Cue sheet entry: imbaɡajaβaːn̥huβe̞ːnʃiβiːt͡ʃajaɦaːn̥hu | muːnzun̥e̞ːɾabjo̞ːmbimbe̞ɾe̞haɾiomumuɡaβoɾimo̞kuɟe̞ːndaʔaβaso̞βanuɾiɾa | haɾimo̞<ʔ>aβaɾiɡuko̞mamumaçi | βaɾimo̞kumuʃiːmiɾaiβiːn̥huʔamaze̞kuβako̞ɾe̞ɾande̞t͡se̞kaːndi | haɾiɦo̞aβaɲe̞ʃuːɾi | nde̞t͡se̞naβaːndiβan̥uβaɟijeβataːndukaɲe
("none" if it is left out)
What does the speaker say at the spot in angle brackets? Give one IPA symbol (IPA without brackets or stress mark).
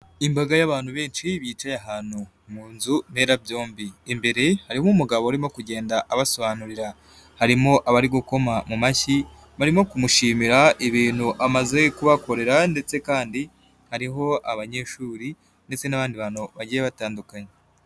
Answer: ʔ